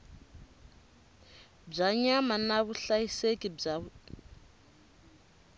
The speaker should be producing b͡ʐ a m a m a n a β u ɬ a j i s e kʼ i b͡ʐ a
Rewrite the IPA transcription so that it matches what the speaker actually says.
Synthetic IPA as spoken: b͡ʐ a ɲ a m a n a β u ɬ a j i s e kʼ i b͡ʐ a